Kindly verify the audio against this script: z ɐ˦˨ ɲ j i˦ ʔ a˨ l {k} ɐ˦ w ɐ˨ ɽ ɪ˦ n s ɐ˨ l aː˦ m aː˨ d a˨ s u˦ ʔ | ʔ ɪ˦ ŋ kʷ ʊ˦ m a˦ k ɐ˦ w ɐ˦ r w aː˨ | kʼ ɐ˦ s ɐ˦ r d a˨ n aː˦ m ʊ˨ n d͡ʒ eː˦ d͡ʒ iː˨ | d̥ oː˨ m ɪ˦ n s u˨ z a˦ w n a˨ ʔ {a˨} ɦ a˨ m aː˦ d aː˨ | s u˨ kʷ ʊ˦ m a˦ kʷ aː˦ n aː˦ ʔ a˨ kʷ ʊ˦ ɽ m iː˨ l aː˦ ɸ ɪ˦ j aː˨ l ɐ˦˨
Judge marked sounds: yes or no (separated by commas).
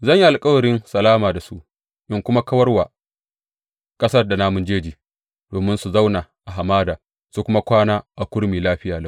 no, yes